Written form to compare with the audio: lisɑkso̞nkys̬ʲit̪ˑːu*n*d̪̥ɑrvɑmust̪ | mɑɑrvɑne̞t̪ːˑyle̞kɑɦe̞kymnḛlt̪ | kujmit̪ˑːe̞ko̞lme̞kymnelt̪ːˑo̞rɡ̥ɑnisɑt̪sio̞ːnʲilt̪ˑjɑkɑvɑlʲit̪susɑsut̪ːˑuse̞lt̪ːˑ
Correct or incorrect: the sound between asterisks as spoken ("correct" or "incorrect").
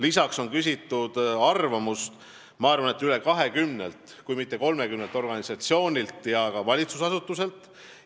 incorrect